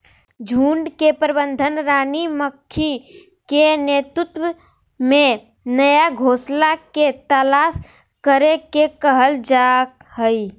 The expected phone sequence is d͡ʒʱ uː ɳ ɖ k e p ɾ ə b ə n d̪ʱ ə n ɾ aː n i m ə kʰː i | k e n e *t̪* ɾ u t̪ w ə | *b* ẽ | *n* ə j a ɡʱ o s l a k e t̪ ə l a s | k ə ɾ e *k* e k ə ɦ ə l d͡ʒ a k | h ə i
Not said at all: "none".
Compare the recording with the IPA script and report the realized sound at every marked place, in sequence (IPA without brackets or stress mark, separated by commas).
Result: t̪, m, n, k